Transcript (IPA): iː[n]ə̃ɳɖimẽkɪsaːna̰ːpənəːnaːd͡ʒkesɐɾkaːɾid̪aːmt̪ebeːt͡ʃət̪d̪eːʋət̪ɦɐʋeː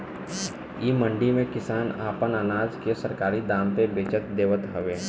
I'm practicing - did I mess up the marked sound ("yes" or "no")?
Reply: yes